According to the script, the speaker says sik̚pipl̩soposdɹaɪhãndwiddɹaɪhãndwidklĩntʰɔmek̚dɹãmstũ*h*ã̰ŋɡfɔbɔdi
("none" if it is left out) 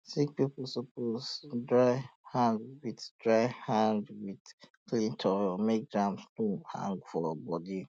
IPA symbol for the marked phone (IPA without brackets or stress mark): h